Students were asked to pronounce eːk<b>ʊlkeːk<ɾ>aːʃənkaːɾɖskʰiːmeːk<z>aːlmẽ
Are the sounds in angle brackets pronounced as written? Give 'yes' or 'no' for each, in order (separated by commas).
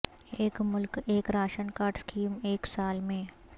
no, yes, no